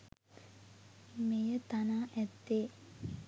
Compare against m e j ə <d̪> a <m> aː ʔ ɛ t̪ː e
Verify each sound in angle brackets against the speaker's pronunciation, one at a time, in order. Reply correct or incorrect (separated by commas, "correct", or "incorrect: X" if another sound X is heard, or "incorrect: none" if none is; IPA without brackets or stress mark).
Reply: incorrect: t̪, incorrect: n